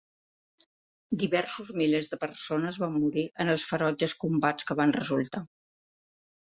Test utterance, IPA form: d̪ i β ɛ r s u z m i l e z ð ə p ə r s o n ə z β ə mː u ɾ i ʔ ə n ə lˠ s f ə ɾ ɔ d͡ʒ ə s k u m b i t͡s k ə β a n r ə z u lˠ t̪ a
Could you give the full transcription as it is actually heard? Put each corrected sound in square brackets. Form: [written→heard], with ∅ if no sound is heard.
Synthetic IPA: d̪ i β ɛ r s u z m i l e z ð ə p ə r s o n ə z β [ə→a] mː u ɾ i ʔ ə n ə lˠ s f ə ɾ ɔ d͡ʒ ə s k u m b [i→a] t͡s k ə β a n r ə z u lˠ t̪ a